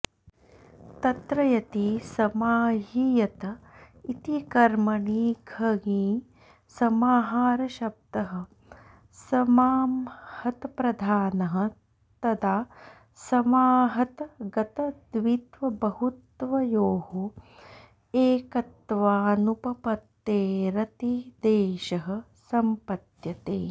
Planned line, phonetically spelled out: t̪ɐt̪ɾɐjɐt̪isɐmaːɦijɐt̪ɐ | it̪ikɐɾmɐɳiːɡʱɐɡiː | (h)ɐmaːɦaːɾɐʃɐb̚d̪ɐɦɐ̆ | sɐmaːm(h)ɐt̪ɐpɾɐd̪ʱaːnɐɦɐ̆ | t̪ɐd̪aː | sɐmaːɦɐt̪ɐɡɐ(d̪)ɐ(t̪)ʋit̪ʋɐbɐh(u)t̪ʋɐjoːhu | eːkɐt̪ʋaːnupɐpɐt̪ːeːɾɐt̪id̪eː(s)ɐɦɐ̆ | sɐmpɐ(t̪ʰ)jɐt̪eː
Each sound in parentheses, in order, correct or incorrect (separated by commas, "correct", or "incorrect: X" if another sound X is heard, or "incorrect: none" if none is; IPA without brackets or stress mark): incorrect: s, correct, incorrect: t̪, incorrect: d̪, correct, incorrect: ʃ, incorrect: t̪